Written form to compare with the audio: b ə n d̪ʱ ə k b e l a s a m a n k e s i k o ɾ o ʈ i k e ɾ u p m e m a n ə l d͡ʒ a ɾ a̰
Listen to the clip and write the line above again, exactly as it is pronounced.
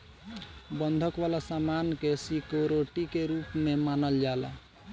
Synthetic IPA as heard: b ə n d̪ʱ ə k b a l a s a m a n k e s i k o ɾ o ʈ i k e ɾ u p m e m a n ə l d͡ʒ a l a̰